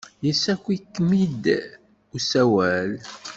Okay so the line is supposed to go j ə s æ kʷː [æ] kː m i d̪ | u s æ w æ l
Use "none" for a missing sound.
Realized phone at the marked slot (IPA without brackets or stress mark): i